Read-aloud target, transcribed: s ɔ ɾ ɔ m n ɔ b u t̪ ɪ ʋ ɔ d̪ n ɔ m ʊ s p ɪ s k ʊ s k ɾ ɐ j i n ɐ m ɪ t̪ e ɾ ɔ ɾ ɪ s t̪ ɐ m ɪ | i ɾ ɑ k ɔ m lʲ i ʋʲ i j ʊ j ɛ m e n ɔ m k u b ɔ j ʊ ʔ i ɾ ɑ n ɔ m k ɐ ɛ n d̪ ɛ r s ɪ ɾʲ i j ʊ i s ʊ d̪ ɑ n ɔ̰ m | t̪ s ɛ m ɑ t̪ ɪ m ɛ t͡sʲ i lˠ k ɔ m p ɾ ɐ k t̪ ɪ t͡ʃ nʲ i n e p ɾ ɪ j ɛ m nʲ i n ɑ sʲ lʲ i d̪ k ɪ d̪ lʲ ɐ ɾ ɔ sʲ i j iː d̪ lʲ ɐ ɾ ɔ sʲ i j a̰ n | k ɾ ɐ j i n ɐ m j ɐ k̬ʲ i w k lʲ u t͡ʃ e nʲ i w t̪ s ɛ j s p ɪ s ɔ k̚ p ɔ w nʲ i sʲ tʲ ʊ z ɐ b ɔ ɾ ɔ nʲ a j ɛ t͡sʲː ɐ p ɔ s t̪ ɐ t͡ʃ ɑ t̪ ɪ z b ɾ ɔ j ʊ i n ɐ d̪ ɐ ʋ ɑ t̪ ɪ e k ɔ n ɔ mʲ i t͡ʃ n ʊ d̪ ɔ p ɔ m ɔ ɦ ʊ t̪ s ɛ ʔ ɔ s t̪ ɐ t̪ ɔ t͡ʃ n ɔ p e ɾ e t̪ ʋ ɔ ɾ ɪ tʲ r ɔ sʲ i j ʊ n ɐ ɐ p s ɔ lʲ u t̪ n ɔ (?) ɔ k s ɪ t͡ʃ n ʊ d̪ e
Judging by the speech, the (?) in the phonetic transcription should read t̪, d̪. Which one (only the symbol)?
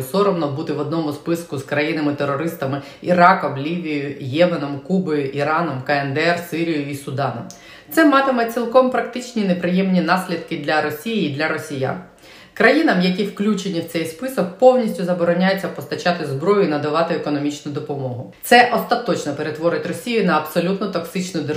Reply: t̪